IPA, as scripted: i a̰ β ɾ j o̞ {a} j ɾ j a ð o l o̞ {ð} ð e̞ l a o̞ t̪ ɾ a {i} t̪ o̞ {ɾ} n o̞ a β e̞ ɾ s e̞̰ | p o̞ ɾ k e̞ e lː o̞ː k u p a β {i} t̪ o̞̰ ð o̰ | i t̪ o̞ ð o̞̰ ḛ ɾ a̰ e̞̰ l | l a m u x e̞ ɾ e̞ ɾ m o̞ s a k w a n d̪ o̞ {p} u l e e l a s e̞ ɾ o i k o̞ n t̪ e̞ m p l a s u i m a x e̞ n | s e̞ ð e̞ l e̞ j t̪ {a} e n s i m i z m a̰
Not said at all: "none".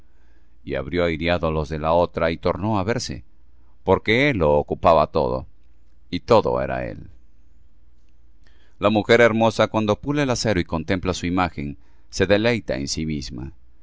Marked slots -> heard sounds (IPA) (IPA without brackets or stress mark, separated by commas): a, z, i, ɾ, a, p, a